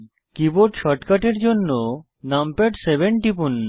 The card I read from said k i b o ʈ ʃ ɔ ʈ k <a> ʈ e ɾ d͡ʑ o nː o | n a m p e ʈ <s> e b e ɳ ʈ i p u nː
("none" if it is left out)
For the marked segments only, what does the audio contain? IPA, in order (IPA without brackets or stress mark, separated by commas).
a, s